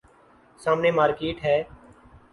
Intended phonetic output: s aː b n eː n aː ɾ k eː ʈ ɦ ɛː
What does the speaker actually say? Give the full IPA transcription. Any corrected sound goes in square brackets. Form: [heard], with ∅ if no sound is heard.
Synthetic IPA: s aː [m] n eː [m] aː ɾ k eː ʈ ɦ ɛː